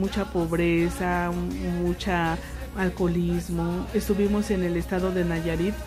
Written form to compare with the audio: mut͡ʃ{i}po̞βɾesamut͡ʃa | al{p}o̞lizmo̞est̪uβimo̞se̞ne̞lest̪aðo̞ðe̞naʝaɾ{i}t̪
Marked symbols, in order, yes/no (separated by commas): no, no, yes